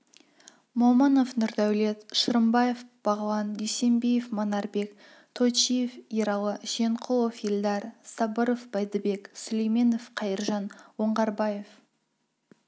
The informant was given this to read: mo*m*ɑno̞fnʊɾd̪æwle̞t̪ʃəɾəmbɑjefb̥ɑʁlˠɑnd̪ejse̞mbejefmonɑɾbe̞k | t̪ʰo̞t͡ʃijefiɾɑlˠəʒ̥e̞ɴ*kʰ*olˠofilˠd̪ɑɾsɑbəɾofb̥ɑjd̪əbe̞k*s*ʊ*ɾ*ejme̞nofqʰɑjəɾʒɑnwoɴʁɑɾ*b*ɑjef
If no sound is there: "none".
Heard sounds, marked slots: m, qʰ, s, l, b

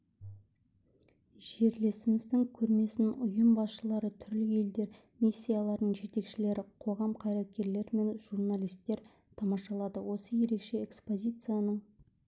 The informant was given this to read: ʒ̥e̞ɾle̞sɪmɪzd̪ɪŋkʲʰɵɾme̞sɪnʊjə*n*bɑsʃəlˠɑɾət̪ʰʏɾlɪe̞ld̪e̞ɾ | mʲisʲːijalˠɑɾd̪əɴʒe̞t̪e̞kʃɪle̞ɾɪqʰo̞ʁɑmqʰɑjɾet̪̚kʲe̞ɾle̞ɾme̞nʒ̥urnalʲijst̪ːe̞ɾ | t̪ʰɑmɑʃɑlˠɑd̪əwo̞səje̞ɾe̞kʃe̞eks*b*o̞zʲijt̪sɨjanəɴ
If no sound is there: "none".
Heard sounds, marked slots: m, p

